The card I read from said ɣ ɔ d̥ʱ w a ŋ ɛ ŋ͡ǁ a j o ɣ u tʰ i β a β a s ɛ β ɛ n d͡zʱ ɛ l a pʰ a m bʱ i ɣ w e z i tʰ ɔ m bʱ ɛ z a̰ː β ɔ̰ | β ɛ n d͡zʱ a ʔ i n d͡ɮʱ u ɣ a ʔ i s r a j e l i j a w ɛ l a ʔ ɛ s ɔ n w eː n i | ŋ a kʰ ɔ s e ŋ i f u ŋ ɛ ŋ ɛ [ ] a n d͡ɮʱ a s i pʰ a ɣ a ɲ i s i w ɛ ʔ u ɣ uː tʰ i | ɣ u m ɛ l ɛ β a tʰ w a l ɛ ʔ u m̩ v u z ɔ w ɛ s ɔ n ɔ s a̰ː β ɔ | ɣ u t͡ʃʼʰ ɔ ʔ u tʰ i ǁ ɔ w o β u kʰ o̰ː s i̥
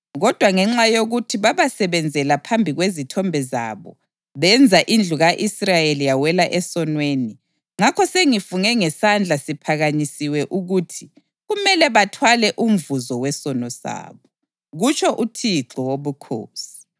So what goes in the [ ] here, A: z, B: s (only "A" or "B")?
B